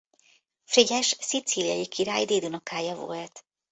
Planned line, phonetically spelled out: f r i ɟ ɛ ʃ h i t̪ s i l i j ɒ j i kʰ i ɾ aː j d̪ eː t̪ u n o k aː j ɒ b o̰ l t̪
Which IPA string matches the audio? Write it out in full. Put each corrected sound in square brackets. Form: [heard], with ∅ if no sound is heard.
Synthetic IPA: f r i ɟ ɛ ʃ [s] i t̪ s i l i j ɒ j i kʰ i ɾ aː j d̪ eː [d̪] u n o k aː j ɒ [v] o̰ l t̪